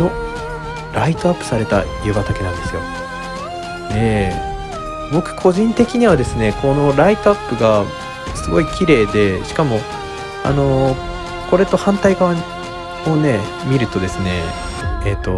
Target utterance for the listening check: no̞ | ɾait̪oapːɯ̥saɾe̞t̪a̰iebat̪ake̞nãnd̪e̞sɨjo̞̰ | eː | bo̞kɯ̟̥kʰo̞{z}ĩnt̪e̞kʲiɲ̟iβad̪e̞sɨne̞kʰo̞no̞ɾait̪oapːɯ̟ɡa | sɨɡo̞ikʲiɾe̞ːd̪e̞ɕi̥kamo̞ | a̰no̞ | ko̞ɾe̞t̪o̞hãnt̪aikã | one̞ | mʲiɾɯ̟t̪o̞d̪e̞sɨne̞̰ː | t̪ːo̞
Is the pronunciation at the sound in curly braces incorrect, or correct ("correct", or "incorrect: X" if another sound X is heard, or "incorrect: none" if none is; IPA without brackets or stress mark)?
incorrect: ʑ